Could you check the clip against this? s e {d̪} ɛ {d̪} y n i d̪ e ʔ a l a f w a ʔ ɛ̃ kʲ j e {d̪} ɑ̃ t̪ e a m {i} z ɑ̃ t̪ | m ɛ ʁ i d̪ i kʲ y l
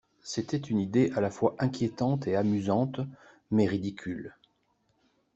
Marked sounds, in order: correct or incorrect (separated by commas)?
incorrect, incorrect, incorrect, incorrect